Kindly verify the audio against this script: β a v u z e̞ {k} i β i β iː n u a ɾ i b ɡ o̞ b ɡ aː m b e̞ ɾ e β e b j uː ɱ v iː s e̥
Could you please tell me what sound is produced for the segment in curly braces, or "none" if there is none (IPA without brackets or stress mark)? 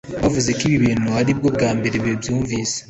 k